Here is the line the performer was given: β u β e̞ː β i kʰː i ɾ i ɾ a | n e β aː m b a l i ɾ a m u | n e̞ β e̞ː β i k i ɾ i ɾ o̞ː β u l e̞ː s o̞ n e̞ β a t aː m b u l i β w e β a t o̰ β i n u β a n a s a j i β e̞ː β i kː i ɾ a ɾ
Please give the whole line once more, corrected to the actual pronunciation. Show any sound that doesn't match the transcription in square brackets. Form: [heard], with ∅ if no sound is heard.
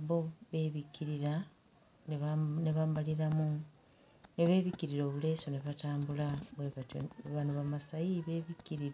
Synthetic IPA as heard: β [o] β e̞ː β i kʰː i ɾ i ɾ a | n e β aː m b a l i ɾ a m u | n e̞ β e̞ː β i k i ɾ i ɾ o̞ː β u l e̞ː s o̞ n e̞ β a t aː m b u l [a] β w e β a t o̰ β [a] n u β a [m] a s a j i β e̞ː β i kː i ɾ [i] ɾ